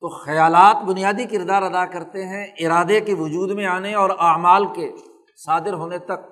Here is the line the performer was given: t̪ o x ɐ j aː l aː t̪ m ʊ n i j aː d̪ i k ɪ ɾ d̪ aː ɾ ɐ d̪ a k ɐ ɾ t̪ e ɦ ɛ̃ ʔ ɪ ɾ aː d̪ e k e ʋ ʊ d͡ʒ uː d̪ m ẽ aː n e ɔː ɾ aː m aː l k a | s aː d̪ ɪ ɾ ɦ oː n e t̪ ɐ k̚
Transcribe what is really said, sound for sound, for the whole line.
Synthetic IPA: t̪ o x ɐ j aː l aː t̪ b ʊ n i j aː d̪ i k ɪ ɾ d̪ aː ɾ ɐ d̪ a k ɐ ɾ t̪ e ɦ ɛ̃ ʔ ɪ ɾ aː d̪ e k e ʋ ʊ d͡ʒ uː d̪ m ẽ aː n e ɔː ɾ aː m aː l k e | s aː d̪ ɪ ɾ ɦ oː n e t̪ ɐ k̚